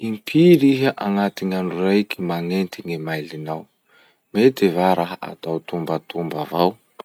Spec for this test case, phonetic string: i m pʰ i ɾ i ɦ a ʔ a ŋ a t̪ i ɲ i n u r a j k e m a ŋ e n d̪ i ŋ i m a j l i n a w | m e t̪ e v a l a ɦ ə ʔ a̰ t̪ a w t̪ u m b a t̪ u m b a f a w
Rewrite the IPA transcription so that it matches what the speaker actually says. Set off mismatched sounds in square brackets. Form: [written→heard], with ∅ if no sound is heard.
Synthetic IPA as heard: i m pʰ i ɾ i ɦ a ʔ a ŋ a t̪ i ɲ [i→a] n u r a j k [e→i] m a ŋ e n [d̪→t̪] i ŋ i m a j l i n a w | m e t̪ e v a [l→ɾ] a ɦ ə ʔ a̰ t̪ a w t̪ u m b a t̪ u m b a [f→v] a w